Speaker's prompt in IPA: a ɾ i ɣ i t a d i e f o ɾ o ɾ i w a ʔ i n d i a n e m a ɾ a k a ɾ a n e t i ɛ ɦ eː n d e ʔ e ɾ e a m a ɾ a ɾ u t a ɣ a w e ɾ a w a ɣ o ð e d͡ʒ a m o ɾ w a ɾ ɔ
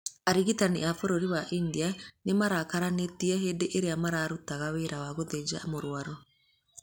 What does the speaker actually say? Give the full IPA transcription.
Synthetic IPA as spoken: a ɾ i ɣ i t a n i a f o ɾ o ɾ i w a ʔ i n d i a n e m a ɾ a k a ɾ a n e t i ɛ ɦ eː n d e ʔ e ɾ e a m a ɾ a ɾ u t a ɣ a w e ɾ a w a ɣ o ð e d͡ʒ a m o ɾ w a ɾ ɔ